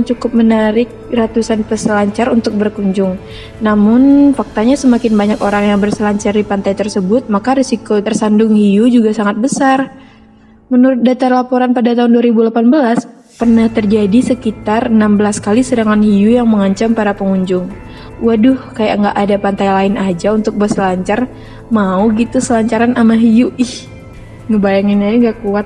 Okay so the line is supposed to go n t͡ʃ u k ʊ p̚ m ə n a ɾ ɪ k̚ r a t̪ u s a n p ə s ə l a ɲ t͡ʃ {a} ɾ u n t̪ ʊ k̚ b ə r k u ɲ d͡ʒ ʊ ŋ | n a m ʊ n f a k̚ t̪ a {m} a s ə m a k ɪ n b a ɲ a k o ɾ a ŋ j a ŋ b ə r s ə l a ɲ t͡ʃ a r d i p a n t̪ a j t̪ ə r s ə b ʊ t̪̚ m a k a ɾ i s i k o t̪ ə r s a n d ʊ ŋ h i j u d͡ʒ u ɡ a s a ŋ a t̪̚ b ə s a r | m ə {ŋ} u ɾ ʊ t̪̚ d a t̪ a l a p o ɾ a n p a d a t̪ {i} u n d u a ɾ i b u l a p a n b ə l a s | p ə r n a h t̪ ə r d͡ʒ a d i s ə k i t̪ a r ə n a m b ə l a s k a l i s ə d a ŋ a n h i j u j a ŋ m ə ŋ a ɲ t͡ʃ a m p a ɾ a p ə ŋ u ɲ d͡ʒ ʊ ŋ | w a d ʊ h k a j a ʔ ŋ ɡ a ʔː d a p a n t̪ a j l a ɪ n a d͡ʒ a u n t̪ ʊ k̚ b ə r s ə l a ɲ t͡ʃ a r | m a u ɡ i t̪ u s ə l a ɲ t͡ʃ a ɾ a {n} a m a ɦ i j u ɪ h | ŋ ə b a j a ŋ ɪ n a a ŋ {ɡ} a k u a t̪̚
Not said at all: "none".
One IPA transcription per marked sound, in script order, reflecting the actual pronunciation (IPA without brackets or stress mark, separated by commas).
a, ɲ, n, a, n, ɡ